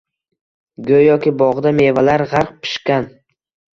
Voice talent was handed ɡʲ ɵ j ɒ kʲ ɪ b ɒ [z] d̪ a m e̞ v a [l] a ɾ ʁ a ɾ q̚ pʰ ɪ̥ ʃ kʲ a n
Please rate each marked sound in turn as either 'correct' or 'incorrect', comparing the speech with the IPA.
incorrect, correct

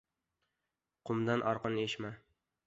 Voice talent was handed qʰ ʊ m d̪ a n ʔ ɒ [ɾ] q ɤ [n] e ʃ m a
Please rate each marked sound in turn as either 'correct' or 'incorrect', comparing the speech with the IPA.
correct, correct

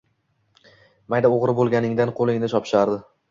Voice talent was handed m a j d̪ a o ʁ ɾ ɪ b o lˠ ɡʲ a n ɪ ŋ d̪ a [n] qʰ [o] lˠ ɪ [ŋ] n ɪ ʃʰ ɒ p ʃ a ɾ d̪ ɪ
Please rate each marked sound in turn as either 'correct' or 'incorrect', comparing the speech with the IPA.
correct, correct, correct

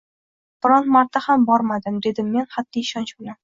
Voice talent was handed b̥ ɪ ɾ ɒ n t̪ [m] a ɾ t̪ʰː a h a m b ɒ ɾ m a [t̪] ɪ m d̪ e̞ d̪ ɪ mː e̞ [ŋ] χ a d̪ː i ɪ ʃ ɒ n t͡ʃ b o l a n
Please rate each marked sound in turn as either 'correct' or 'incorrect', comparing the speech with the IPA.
correct, incorrect, incorrect

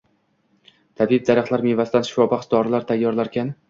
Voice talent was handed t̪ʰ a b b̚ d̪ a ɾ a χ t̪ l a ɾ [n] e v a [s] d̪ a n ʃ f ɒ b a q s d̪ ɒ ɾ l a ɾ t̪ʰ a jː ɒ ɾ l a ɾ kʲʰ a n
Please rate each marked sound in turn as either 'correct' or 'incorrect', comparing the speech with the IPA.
incorrect, correct

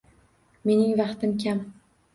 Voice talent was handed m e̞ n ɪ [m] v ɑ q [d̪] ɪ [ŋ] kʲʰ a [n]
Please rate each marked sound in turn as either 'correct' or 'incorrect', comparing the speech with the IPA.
incorrect, incorrect, incorrect, incorrect

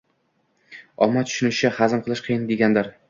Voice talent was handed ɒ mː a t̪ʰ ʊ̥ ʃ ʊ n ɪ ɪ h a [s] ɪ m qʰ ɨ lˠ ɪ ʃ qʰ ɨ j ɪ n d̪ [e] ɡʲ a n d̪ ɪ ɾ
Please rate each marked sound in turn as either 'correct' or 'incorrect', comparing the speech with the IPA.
incorrect, correct

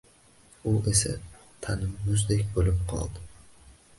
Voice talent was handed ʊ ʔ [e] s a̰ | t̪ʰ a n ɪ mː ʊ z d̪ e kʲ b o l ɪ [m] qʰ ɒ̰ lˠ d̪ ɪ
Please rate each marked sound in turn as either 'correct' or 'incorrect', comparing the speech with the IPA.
correct, correct

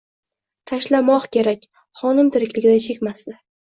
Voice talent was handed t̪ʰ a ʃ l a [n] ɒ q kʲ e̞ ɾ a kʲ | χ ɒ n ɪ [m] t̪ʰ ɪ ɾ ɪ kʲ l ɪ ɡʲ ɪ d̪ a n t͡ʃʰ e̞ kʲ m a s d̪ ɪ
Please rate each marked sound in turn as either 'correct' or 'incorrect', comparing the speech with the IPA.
incorrect, correct

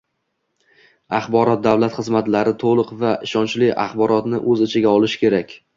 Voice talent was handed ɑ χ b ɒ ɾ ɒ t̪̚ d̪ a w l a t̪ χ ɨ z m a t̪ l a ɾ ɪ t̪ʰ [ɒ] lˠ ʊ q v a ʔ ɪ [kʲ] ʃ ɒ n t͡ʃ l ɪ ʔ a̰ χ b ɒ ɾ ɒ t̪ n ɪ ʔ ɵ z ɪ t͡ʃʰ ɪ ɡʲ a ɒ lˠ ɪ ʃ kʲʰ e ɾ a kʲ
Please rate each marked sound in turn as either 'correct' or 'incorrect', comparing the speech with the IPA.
incorrect, incorrect

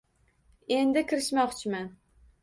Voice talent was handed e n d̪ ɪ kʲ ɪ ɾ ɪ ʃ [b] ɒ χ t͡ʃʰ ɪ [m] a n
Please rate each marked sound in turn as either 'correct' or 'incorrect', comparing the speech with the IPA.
incorrect, correct

